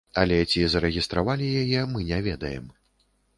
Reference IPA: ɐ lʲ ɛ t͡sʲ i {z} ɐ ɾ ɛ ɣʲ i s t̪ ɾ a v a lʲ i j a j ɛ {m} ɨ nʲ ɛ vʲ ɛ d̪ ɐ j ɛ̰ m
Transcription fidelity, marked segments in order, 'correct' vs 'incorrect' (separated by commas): correct, correct